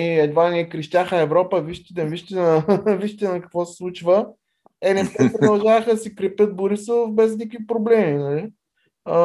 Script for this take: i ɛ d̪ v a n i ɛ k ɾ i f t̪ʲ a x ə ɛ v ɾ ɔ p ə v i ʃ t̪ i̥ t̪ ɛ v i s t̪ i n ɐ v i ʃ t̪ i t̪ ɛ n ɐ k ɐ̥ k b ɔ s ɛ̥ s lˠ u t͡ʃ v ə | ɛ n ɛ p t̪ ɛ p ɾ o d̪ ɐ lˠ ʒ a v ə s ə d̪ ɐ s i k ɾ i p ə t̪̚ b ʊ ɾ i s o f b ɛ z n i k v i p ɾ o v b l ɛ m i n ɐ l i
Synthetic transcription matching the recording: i ɛ d̪ v a n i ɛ k ɾ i ʃ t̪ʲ a x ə ɛ v ɾ ɔ p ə v i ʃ t̪ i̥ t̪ ɛ v i ʃ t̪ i n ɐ v i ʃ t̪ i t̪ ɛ n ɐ k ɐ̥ k v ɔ s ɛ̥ s lˠ u t͡ʃ v ə | ɛ n ɛ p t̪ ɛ p ɾ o d̪ ɐ lˠ ʒ a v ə x ə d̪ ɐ s i k ɾ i p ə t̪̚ b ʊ ɾ i s o f b ɛ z n i k v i p ɾ o b l ɛ m i n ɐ l i